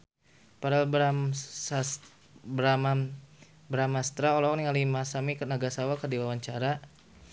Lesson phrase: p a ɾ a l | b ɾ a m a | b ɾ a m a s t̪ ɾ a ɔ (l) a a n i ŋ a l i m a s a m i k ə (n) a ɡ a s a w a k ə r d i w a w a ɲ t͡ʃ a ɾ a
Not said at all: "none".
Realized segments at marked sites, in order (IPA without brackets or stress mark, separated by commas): l, n